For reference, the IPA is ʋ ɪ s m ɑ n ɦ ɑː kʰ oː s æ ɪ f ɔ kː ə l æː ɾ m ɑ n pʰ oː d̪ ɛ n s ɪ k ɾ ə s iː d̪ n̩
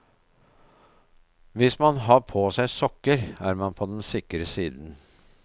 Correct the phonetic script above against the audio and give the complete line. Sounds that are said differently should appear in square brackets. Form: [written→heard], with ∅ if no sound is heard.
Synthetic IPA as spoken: ʋ ɪ s m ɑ n ɦ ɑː [kʰ→pʰ] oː s æ ɪ [f→s] ɔ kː ə [l→ɾ] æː ɾ m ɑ n pʰ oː d̪ ɛ n s ɪ k ɾ ə s iː d̪ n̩

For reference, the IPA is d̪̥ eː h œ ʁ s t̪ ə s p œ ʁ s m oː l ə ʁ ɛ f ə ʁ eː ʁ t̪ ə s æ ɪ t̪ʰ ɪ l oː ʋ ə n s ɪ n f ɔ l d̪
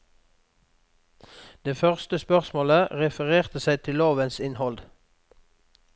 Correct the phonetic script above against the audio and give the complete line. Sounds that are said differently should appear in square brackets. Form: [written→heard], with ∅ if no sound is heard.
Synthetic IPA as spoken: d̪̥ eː [h→f] œ ʁ s t̪ ə s p œ ʁ s m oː l ə ʁ ɛ f ə ʁ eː ʁ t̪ ə s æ ɪ t̪ʰ ɪ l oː ʋ ə n s ɪ n [f→h] ɔ l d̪

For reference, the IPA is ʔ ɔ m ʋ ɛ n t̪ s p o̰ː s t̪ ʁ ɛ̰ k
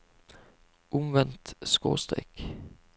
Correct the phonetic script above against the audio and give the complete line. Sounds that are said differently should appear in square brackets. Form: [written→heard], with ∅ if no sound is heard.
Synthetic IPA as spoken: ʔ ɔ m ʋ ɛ n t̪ s [p→k] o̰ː s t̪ ʁ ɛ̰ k

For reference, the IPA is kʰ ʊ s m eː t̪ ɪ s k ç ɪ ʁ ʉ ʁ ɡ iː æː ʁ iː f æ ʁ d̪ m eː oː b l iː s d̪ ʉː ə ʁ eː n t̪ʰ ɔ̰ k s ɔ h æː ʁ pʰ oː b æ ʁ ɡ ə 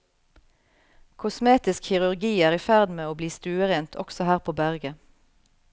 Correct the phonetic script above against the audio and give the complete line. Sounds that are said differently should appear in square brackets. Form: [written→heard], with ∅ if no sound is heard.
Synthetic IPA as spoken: kʰ ʊ s m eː t̪ ɪ s k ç ɪ ʁ ʉ ʁ ɡ iː æː ʁ iː f æ ʁ d̪ m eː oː b l iː s [d̪→t̪] ʉː ə ʁ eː n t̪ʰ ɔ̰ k s ɔ h æː ʁ pʰ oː b æ ʁ ɡ ə

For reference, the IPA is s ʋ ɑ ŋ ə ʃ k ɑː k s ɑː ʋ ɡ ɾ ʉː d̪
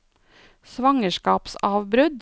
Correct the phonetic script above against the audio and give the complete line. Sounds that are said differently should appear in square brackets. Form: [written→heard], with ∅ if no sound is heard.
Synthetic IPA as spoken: s ʋ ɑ ŋ ə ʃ k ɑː [k→p] s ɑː ʋ [ɡ→b] ɾ [ʉː→ʉ] d̪

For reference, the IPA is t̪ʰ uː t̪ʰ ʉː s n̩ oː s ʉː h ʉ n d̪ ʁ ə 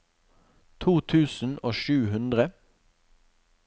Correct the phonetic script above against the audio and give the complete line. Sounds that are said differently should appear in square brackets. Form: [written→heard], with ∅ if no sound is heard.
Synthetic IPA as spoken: t̪ʰ uː t̪ʰ ʉː s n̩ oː [s→ʃ] ʉː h ʉ n d̪ ʁ ə

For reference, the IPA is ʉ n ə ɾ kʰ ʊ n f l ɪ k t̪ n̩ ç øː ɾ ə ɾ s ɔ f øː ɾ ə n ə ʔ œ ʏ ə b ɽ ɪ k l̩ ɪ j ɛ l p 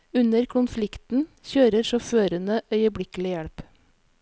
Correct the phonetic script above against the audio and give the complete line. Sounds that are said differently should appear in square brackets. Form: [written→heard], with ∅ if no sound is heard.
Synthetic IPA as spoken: ʉ n ə ɾ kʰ ʊ n f l ɪ k t̪ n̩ ç øː ɾ ə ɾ [s→ʃ] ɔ f øː ɾ ə n ə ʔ œ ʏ ə b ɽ ɪ k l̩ ɪ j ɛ [l→ɽ] p

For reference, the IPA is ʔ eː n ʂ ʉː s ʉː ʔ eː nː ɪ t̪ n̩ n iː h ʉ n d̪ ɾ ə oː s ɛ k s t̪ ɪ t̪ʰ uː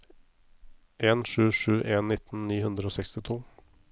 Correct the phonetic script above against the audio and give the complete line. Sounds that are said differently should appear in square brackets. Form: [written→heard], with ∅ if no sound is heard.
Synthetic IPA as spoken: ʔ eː n ʂ ʉː [s→ʂ] ʉː ʔ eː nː ɪ t̪ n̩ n iː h ʉ n d̪ ɾ ə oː s ɛ k s t̪ ɪ t̪ʰ uː

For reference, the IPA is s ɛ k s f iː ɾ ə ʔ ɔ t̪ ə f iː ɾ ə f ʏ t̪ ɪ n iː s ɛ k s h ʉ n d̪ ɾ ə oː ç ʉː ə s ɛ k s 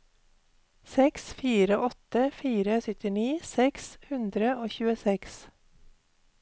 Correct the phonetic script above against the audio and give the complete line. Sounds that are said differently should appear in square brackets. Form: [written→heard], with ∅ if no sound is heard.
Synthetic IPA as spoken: s ɛ k s f iː ɾ ə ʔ ɔ t̪ ə f iː ɾ ə [f→s] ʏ t̪ ɪ n iː s ɛ k s h ʉ n d̪ ɾ ə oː ç ʉː ə s ɛ k s

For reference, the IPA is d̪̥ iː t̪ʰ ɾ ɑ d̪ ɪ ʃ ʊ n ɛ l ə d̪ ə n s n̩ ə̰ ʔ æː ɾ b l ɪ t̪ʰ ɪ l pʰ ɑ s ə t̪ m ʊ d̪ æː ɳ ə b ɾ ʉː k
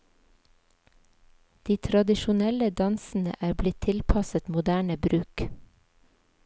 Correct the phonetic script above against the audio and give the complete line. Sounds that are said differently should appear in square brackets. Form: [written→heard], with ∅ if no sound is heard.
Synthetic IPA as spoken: d̪̥ iː t̪ʰ ɾ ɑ d̪ ɪ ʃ ʊ n ɛ l ə d̪ [ə→ɑ] n s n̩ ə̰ ʔ æː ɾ b l ɪ t̪ʰ ɪ l pʰ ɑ s ə t̪ m ʊ d̪ æː ɳ ə b ɾ ʉː k

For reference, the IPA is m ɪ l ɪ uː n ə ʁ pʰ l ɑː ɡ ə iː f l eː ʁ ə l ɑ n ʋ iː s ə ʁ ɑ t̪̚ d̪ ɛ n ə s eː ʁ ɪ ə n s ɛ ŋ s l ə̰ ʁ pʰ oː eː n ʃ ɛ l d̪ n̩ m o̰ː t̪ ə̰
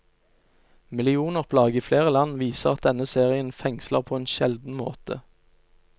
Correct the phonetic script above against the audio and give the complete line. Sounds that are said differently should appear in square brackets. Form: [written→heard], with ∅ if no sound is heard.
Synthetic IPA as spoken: m ɪ l ɪ uː n ə ʁ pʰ l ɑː ɡ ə iː f l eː ʁ ə l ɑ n ʋ iː s ə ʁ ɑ t̪̚ d̪ ɛ n ə s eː ʁ ɪ ə n [s→f] ɛ ŋ s l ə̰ ʁ pʰ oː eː n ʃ ɛ l d̪ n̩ m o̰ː t̪ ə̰

